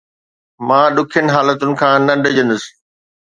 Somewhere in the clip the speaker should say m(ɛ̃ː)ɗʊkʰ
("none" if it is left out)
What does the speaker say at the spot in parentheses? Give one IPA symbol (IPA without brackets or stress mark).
ãː